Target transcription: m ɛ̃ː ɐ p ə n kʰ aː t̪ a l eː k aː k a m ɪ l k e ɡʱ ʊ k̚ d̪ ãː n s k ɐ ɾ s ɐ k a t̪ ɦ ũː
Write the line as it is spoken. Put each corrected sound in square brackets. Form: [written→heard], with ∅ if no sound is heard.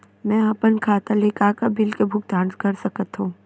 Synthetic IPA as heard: m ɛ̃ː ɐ p ə n kʰ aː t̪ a l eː k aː k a [m→b] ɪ l k e [ɡʱ→bʱ] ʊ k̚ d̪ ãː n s k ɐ ɾ s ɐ k [a→ə] t̪ ɦ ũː

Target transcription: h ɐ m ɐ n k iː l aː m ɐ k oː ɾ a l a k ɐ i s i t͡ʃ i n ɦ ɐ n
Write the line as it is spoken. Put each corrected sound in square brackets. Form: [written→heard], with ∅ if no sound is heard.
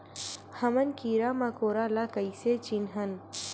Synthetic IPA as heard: h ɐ m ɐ n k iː [l→ɾ] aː m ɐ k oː ɾ a l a k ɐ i s [i→e] t͡ʃ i n ɦ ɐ n

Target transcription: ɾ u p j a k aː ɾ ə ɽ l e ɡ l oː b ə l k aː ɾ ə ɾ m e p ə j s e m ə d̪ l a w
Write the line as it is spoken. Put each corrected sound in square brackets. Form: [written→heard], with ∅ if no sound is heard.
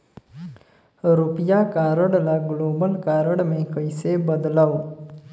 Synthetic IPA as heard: ɾ u p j a k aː ɾ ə ɽ l [e→a] ɡ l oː b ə l k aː ɾ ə [ɾ→ɽ] m e [p→k] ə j s e [m→b] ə d̪ l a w

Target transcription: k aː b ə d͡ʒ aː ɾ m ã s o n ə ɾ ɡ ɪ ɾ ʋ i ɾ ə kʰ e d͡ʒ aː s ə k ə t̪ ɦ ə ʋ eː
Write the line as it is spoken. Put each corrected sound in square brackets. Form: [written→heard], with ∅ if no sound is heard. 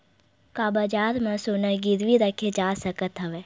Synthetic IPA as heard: k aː b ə d͡ʒ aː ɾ m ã s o n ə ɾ ɡ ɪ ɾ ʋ i ɾ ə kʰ e d͡ʒ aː s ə k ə t̪ ɦ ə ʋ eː

